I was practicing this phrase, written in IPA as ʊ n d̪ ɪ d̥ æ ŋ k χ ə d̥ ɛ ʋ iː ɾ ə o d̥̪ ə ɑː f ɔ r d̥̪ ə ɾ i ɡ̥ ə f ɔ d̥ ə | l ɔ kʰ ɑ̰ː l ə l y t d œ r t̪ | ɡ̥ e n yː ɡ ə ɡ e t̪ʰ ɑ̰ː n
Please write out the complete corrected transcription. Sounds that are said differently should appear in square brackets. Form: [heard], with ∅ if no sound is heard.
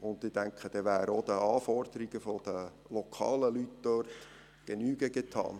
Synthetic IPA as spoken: ʊ n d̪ ɪ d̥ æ ŋ k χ ə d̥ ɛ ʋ [æː] ɾ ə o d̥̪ ə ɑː f ɔ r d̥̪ ə ɾ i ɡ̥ ə f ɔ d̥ ə | l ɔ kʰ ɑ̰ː l ə l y t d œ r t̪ | ɡ̥ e n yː ɡ ə ɡ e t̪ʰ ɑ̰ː n